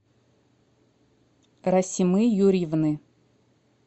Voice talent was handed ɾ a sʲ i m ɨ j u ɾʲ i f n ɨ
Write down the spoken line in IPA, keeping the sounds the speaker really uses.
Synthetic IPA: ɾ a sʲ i m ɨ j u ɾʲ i v n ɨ